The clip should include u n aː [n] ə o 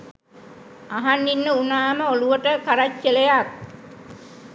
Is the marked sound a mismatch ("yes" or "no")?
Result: yes